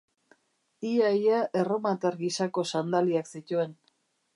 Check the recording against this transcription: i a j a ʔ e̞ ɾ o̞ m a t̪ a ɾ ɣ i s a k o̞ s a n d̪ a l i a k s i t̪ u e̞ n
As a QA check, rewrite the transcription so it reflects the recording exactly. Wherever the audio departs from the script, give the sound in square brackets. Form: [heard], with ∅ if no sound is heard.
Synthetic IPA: i a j a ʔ e̞ [r] o̞ m a t̪ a ɾ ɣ i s a k o̞ s a n d̪ a l i a k s i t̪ u e̞ n